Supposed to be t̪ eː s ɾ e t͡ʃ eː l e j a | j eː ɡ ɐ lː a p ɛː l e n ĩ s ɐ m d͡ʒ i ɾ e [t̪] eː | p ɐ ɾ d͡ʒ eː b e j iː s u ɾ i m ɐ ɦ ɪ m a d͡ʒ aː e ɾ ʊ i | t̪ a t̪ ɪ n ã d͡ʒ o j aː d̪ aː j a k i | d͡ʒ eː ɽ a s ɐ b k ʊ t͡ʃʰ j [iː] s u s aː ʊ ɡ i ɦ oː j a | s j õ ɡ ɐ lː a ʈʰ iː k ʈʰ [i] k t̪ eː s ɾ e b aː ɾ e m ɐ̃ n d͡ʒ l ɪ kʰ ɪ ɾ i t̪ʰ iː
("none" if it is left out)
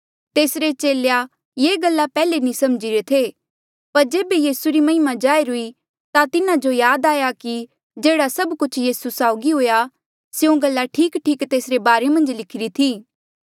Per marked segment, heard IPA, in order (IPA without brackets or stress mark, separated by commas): t̪ʰ, iː, iː